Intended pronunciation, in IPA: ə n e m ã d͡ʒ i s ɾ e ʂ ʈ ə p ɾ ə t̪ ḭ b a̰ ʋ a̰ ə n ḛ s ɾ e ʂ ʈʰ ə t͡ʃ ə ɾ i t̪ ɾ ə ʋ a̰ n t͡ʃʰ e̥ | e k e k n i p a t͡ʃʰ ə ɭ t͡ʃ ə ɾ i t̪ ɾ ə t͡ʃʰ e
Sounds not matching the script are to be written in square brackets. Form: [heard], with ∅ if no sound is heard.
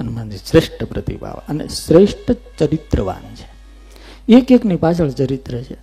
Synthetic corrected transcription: ə n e m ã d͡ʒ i s ɾ e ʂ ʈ ə p ɾ ə t̪ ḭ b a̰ ʋ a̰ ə n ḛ s ɾ e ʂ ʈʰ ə t͡ʃ ə ɾ i t̪ ɾ ə ʋ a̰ n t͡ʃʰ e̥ | e k e k n i p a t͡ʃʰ ə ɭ t͡ʃ ə ɾ i t̪ ɾ ə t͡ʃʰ e